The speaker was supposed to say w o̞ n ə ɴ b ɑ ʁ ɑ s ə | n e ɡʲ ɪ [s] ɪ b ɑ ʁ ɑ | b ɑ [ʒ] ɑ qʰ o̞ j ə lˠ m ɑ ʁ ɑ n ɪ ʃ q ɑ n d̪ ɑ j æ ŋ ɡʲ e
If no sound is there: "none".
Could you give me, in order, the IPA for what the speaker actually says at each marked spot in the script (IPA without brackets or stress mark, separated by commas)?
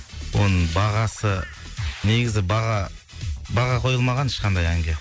z, ʁ